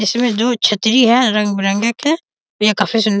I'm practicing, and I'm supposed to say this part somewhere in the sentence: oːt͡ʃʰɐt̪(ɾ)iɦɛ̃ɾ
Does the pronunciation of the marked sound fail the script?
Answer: no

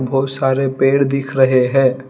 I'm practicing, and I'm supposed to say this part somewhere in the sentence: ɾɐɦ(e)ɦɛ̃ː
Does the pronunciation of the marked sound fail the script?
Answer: no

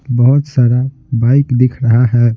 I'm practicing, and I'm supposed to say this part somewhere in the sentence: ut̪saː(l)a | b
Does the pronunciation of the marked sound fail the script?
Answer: yes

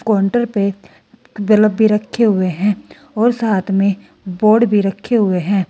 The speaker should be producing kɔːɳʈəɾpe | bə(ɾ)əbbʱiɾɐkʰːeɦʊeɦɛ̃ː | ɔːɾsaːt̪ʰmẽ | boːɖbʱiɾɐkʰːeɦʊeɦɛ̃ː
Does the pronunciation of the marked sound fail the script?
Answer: yes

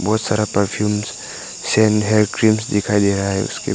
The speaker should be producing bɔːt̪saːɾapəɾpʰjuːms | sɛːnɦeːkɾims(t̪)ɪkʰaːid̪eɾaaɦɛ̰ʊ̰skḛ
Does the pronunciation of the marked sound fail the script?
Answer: yes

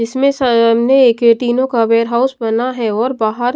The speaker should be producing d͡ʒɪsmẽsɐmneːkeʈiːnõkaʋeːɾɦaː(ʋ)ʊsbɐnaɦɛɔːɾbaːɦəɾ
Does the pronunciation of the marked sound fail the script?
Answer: yes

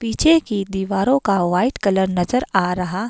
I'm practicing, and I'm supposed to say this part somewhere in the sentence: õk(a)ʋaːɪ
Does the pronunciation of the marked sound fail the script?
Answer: no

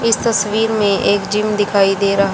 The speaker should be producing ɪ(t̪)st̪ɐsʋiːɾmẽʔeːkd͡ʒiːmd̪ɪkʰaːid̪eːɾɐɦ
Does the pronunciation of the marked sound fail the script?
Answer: yes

